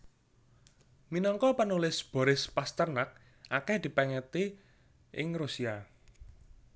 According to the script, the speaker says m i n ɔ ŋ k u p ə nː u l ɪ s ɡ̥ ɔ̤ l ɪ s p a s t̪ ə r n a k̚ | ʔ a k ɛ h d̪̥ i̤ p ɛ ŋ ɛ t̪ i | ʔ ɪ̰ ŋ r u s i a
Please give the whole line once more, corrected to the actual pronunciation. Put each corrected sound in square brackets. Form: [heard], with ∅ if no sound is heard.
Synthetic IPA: m i n ɔ ŋ k [ɔ] p ə [n] u l ɪ s [b̥] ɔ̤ [ɾ] ɪ s p a s t̪ ə r n a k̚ | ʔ a k ɛ h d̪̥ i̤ p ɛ ŋ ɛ t̪ i | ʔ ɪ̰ ŋ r u s i a